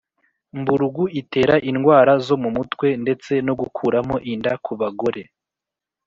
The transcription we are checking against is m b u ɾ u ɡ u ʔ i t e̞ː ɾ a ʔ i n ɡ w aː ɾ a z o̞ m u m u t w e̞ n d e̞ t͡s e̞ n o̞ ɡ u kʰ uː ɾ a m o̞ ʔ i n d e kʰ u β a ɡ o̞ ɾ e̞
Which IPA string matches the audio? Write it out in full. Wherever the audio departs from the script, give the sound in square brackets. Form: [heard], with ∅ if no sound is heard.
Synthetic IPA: m b u ɾ u ɡ u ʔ i t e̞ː ɾ a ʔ i n ɡ w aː ɾ a z o̞ m u m u t w e̞ n d e̞ t͡s e̞ n o̞ ɡ u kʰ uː ɾ a m o̞ ʔ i n d [a] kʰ u β a ɡ o̞ ɾ e̞